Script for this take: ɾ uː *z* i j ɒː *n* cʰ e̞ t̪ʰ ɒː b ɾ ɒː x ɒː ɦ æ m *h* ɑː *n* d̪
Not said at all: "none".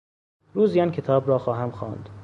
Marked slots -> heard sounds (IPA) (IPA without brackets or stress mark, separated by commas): z, n, x, n